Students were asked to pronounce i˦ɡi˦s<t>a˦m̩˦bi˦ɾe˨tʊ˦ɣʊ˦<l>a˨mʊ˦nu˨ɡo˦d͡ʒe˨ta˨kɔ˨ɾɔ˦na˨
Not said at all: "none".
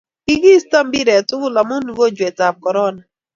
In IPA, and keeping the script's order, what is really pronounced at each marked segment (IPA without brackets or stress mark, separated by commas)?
t, l